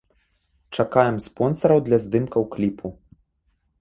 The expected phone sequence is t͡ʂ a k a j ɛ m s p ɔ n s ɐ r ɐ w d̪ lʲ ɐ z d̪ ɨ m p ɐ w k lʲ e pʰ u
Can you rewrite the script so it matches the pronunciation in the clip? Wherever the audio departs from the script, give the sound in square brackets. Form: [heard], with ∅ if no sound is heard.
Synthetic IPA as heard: t͡ʂ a k a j ɛ m s p ɔ n s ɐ [ɾ] ɐ w d̪ lʲ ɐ z d̪ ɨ m [k] ɐ w k lʲ [i] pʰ u